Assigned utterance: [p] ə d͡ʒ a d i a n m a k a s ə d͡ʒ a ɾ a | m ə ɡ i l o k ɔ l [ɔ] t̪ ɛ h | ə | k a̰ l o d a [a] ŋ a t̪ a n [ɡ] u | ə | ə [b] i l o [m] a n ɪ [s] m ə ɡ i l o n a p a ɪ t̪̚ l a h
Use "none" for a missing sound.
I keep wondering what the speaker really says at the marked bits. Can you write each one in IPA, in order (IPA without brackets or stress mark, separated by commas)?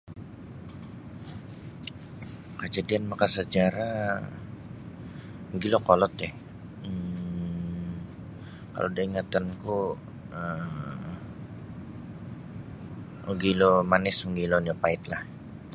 k, ɔ, i, k, ɡ, m, s